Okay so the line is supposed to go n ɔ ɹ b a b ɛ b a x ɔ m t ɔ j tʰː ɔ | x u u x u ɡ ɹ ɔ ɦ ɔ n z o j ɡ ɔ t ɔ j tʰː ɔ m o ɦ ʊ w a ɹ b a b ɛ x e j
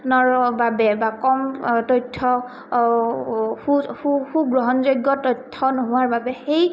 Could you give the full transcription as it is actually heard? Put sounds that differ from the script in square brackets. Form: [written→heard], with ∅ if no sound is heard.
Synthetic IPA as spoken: n ɔ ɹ b a b ɛ b a [x→k] ɔ m t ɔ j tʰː ɔ | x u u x u ɡ ɹ ɔ ɦ ɔ n z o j ɡ ɔ t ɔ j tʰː ɔ [m→n] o ɦ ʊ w a ɹ b a b ɛ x e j